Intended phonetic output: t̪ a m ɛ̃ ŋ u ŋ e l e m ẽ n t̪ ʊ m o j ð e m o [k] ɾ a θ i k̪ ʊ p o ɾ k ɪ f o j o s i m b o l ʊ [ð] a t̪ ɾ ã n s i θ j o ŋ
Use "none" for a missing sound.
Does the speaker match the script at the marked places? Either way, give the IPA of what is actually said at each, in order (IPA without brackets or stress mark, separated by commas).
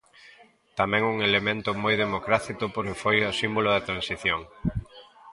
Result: k, ð